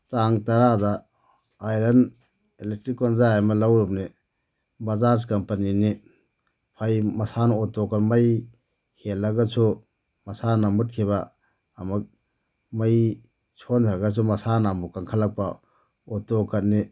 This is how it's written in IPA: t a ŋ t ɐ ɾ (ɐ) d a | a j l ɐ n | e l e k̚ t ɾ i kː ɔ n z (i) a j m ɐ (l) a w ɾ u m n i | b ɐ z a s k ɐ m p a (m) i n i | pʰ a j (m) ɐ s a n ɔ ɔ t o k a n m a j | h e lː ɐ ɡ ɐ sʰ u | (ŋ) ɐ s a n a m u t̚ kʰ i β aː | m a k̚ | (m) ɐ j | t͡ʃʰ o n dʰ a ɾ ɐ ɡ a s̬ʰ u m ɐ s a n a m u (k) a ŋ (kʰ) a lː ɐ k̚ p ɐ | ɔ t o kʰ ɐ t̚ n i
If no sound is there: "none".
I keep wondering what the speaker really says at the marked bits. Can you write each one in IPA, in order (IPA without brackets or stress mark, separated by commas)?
a, a, l, n, m, m, m, k, kʰ